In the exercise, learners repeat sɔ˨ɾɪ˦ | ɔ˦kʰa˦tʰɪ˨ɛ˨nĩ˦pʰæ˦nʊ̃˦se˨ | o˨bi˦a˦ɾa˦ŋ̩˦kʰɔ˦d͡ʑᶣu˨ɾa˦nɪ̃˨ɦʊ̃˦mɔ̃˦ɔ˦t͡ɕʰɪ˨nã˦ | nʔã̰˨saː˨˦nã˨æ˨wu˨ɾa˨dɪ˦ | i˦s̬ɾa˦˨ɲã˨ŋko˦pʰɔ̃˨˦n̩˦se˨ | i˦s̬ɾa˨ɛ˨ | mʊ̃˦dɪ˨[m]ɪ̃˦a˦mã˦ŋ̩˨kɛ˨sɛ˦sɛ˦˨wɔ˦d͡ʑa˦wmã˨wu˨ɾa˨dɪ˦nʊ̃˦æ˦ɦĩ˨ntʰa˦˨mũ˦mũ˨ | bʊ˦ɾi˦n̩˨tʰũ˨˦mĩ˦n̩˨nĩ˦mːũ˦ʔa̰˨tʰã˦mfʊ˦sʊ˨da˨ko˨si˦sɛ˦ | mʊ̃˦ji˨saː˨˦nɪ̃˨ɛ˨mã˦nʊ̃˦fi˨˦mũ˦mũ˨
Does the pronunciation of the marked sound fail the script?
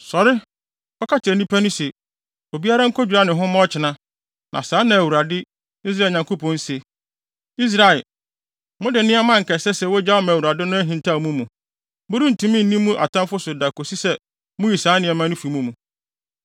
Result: yes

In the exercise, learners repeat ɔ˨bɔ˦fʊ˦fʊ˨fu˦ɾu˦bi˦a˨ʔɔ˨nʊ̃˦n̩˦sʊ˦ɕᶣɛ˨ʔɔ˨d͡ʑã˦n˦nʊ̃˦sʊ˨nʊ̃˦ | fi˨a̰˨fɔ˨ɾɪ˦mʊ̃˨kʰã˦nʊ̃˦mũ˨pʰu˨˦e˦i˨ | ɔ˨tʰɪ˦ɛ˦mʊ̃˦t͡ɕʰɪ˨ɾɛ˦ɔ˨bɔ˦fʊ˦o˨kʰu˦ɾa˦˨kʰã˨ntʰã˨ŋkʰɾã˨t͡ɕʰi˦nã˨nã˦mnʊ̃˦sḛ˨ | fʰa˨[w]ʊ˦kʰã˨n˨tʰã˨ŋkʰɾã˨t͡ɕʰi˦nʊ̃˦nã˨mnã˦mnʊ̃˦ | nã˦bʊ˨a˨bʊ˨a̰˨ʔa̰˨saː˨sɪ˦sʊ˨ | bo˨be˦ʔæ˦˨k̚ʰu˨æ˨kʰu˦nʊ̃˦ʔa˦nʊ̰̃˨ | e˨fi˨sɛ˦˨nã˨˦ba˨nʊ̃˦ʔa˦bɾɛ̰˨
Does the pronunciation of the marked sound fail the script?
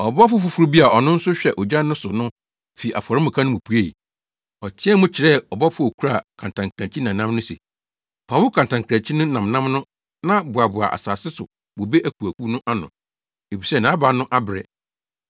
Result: no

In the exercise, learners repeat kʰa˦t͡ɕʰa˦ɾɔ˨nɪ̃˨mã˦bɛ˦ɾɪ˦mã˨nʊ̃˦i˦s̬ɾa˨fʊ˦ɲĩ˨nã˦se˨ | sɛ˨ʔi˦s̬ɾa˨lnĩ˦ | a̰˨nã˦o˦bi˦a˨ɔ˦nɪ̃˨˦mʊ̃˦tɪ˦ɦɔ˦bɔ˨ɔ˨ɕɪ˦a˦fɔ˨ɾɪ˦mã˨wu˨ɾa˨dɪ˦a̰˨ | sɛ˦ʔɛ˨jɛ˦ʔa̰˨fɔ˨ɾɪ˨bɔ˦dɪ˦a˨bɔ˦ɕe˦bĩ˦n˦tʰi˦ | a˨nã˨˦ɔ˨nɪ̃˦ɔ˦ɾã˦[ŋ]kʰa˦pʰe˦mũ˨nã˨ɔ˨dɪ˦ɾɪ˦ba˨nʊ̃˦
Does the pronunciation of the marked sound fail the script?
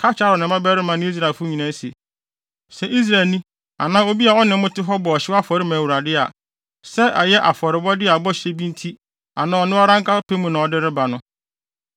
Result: no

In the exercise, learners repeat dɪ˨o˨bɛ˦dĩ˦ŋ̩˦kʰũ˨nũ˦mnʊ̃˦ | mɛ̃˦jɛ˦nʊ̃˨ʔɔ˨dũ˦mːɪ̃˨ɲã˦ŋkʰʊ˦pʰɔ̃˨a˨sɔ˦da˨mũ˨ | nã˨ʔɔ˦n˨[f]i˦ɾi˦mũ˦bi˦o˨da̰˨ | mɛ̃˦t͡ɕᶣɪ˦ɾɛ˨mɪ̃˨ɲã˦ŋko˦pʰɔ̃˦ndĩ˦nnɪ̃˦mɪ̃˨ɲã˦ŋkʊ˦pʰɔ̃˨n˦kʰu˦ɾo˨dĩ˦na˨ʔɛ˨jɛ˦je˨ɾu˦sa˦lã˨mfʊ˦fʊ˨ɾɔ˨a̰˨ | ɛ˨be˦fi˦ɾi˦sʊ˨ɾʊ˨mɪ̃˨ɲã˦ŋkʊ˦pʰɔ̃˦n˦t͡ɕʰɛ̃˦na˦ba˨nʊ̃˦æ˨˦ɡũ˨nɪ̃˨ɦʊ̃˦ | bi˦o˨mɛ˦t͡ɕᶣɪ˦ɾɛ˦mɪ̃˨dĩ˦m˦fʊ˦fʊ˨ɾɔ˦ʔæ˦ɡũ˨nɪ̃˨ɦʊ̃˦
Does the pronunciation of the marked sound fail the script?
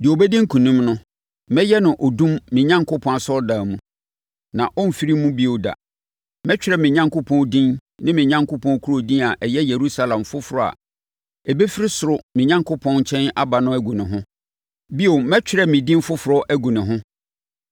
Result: no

